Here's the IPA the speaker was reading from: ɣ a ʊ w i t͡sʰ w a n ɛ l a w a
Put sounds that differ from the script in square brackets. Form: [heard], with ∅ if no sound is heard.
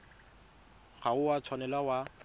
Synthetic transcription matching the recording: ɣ a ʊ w [a] t͡sʰ w a n ɛ l a w a